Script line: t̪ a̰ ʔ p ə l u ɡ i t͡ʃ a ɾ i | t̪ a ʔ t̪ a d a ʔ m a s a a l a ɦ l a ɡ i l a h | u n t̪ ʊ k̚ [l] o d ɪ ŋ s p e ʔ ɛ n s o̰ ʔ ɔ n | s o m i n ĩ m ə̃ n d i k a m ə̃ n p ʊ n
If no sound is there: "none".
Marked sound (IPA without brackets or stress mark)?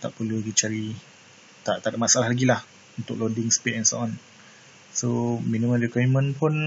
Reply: l